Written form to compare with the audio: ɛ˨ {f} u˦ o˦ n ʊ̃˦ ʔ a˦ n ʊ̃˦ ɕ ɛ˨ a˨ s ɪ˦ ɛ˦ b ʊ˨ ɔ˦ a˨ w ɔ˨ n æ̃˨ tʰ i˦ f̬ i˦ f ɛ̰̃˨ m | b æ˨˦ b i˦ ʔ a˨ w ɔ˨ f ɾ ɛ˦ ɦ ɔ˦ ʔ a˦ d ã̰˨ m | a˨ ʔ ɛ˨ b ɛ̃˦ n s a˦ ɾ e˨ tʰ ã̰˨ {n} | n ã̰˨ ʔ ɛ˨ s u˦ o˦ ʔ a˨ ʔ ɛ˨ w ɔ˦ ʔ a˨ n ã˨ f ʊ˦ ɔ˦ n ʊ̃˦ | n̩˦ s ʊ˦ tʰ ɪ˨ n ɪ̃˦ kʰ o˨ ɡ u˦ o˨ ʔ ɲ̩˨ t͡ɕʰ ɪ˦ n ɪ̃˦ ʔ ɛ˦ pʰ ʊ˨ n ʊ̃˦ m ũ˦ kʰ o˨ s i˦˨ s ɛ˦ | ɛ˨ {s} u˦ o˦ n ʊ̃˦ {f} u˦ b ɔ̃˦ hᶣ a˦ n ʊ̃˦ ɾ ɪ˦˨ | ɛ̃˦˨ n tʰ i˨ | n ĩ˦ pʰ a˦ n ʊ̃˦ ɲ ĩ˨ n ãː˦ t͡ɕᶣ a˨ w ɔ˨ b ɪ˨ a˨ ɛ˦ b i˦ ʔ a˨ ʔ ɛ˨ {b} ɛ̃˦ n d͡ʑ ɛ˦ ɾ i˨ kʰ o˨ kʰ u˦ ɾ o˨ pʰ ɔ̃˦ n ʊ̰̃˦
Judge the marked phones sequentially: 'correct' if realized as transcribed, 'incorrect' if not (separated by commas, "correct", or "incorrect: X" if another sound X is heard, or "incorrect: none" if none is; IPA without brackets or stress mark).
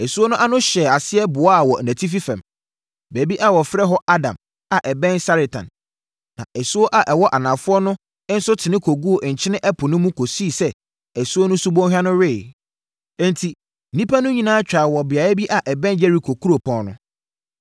incorrect: s, correct, correct, incorrect: s, correct